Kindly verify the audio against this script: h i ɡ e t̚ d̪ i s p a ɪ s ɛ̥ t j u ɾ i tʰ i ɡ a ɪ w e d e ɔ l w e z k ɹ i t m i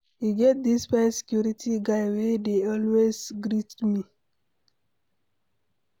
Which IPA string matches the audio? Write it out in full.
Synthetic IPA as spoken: h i ɡ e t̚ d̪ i s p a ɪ s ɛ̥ k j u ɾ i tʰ i ɡ a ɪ w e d e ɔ l w e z ɡ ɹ i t m i